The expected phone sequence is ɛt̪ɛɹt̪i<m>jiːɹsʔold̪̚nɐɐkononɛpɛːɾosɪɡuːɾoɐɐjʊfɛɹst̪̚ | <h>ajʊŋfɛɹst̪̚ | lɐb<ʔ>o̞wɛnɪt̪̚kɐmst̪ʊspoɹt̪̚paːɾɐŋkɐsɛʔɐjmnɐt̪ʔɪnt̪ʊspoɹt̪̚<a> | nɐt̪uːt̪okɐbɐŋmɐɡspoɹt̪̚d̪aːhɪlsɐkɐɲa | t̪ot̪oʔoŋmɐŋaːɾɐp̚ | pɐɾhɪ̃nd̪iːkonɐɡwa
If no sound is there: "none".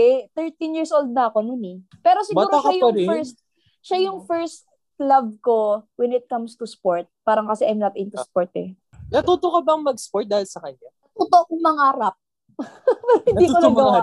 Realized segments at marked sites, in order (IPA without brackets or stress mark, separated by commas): n, ʃ, k, ɛ